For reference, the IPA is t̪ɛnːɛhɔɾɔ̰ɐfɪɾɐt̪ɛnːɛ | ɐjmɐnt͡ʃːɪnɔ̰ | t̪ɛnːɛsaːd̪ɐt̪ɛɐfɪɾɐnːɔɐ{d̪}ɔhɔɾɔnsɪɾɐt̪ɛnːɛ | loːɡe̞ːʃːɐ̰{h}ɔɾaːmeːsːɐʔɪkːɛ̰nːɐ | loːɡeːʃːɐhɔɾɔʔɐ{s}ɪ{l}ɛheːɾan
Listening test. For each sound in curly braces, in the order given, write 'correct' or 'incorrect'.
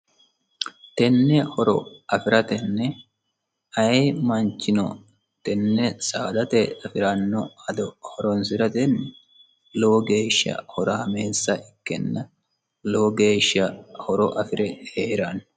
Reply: correct, correct, incorrect, incorrect

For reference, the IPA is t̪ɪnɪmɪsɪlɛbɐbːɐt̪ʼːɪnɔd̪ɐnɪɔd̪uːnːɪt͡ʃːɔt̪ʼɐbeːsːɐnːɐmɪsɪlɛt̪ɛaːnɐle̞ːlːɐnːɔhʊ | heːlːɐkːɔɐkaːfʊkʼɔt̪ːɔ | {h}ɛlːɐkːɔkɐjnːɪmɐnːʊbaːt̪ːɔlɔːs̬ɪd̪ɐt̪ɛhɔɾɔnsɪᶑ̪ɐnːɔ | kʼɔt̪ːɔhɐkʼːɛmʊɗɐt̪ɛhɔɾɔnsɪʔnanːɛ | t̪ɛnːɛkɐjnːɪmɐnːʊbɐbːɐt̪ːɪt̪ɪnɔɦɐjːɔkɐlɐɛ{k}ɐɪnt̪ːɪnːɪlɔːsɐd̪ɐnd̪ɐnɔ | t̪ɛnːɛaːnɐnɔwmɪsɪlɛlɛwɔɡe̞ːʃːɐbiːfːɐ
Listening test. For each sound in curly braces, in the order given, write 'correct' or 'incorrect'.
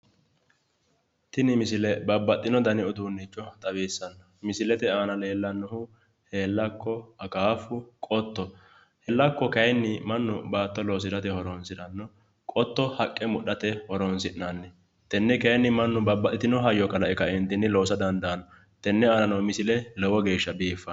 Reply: correct, correct

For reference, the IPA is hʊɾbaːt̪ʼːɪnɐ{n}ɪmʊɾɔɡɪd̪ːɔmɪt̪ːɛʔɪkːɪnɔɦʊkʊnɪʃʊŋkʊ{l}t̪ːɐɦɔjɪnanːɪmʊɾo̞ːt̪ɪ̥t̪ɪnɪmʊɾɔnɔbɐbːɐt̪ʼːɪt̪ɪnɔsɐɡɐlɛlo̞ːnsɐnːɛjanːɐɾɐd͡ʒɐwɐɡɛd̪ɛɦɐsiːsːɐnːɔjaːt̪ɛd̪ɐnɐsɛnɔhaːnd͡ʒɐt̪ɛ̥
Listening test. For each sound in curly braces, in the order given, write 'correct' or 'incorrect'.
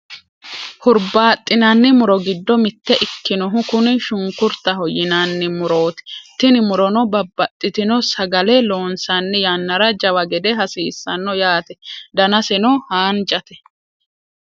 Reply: incorrect, incorrect

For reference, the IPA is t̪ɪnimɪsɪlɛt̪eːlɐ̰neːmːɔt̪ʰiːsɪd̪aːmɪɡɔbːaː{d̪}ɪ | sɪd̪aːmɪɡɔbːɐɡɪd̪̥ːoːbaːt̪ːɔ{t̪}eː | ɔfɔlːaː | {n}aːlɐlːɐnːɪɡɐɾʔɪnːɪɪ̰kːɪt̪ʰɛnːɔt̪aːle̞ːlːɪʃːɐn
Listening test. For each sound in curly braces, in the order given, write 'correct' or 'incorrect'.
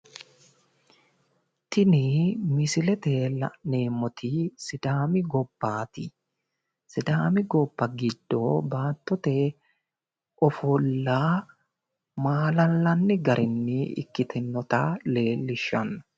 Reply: incorrect, correct, incorrect

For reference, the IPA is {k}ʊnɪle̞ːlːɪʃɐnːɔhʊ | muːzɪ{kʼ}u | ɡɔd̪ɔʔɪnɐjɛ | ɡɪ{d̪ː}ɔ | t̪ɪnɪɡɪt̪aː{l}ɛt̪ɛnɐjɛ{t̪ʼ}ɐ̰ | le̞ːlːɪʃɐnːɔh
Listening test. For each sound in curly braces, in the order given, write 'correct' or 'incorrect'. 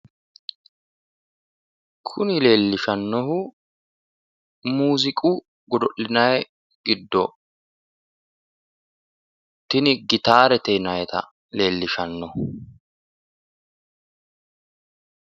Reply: incorrect, correct, correct, incorrect, incorrect

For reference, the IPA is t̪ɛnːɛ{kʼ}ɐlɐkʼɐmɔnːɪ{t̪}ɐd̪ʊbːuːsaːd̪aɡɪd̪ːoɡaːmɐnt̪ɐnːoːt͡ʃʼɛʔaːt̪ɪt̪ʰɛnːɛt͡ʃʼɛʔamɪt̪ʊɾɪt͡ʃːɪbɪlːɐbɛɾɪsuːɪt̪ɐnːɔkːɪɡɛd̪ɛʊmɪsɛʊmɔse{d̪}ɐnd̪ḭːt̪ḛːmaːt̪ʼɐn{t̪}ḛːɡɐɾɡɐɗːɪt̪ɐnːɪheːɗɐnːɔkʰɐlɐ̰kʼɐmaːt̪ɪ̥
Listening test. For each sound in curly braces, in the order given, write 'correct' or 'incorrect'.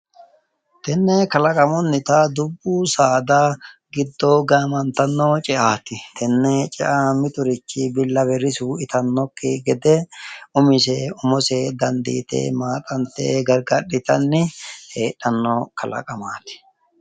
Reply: incorrect, correct, correct, correct

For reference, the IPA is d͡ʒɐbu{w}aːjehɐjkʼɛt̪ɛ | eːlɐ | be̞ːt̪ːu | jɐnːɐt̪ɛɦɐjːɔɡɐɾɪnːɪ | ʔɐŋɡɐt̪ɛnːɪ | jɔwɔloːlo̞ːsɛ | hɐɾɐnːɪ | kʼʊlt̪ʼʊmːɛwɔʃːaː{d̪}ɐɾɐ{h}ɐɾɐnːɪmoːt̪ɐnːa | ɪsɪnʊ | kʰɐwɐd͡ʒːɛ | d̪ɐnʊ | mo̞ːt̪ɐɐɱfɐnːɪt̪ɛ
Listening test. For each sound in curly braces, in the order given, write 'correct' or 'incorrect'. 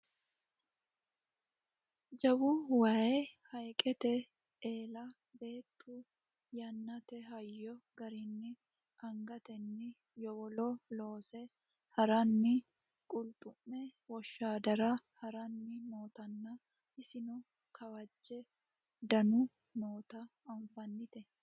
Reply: correct, correct, correct

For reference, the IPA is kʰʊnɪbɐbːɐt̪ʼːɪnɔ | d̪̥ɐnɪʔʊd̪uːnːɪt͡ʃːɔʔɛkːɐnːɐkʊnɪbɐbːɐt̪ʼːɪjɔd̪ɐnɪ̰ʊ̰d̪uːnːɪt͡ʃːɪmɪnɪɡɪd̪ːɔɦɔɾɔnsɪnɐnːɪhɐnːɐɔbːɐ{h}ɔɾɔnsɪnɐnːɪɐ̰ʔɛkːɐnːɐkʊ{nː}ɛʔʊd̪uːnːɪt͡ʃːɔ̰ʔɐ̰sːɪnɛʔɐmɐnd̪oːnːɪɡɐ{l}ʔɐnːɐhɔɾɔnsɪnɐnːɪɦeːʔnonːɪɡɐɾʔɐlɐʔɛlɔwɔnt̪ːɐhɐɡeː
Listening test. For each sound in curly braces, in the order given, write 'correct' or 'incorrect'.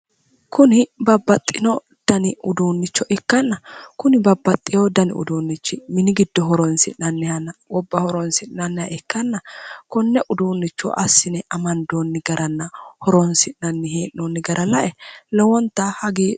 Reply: correct, correct, incorrect

